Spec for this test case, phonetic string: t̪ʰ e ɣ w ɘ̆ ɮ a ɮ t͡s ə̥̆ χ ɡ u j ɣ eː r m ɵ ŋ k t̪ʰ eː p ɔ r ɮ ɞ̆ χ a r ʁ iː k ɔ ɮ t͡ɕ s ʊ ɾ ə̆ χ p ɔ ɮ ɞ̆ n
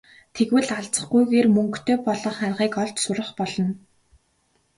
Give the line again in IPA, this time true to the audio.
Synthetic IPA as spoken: t̪ʰ e ɣ w ɘ̆ ɮ a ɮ t͡s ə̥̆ χ ɡ u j ɣ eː r m ɵ ŋ k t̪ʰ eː p ɔ ɮ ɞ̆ χ a r ʁ iː k ɔ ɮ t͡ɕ s ʊ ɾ ə̆ χ p ɔ ɮ ɞ̆ n